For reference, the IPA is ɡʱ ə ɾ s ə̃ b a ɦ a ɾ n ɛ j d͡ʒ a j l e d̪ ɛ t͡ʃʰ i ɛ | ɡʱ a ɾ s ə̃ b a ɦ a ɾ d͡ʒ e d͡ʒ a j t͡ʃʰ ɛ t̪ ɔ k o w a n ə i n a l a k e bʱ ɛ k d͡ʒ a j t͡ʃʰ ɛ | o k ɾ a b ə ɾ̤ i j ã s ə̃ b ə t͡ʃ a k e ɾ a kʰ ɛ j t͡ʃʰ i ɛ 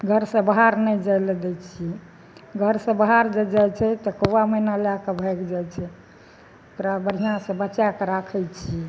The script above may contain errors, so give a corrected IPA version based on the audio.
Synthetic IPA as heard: ɡʱ ə ɾ s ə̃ b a ɦ a ɾ n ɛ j d͡ʒ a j l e d̪ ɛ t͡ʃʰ i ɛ | ɡʱ ə ɾ s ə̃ b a ɦ a ɾ d͡ʒ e d͡ʒ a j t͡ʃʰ ɛ t̪ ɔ k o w a m ə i n a l a k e bʱ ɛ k d͡ʒ a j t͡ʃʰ ɛ | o k ɾ a b ə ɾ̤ i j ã s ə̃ b ə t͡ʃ a k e ɾ a kʰ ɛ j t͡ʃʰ i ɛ